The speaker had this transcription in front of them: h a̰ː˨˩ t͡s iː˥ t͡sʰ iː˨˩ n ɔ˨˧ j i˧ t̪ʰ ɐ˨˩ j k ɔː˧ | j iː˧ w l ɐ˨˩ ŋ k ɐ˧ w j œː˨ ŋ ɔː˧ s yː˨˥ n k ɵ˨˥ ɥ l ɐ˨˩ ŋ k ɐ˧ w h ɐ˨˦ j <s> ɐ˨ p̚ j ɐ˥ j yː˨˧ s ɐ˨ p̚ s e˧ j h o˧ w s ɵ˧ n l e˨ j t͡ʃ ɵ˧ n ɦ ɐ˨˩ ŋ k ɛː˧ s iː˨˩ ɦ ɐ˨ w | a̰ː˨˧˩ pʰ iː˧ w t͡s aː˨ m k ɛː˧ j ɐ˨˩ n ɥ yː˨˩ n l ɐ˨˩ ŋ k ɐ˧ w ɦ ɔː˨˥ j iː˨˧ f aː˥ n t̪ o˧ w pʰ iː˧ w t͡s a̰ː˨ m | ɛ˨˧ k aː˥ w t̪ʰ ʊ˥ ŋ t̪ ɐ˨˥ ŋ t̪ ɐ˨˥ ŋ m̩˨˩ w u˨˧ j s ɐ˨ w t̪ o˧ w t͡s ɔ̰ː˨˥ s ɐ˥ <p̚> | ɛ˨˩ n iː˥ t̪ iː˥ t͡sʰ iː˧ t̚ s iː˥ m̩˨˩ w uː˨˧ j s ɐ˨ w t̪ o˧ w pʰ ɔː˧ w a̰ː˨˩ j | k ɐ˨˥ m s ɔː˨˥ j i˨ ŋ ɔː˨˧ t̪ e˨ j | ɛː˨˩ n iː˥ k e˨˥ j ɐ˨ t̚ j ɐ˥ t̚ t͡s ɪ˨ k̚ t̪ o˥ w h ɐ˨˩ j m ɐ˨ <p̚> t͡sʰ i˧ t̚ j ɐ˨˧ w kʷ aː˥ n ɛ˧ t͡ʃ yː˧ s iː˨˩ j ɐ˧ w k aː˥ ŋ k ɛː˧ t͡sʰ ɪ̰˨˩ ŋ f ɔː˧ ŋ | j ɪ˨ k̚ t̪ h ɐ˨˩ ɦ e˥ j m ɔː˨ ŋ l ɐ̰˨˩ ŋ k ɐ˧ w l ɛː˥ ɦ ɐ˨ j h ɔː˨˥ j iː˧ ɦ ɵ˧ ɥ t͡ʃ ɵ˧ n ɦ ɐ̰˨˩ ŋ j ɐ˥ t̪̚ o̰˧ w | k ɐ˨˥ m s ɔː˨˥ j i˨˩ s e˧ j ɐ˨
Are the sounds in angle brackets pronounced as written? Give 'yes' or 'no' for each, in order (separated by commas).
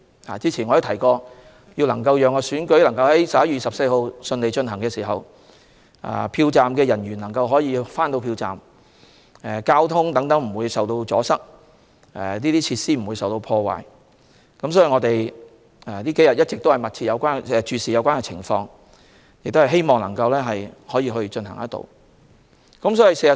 yes, no, no